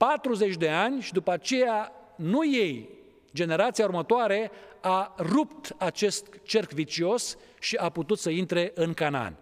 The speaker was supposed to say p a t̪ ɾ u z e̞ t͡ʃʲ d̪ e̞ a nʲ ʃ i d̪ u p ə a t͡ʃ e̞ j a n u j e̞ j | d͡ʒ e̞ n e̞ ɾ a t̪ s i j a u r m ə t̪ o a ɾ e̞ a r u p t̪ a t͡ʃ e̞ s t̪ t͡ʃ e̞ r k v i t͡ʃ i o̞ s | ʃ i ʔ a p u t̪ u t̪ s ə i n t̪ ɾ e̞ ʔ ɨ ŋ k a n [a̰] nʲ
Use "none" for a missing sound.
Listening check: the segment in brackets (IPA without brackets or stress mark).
a̰